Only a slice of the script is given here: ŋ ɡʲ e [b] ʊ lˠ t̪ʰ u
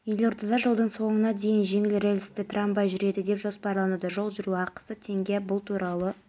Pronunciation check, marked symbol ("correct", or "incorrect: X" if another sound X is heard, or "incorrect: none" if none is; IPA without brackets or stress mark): correct